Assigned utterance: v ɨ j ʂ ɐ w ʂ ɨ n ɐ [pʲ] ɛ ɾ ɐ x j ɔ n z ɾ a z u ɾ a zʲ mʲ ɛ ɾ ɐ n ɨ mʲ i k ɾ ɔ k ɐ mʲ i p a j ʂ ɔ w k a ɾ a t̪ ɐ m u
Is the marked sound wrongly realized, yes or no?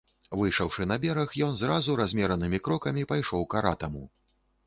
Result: yes